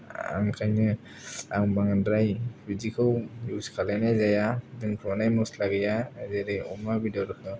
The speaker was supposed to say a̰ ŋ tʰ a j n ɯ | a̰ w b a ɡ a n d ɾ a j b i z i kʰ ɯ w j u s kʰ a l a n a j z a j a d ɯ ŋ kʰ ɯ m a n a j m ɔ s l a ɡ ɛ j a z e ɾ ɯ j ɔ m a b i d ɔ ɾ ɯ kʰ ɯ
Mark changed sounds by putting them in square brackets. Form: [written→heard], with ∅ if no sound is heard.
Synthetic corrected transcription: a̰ ŋ [tʰ→kʰ] a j n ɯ | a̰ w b a [ɡ→ŋ] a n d ɾ a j b i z i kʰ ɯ w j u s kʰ a l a n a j z a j a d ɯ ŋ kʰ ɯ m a n a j m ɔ s l a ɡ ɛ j a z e ɾ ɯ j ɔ m a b i d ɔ ɾ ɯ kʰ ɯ